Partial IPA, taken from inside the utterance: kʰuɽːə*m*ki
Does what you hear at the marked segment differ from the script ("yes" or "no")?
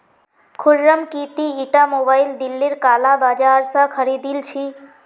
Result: no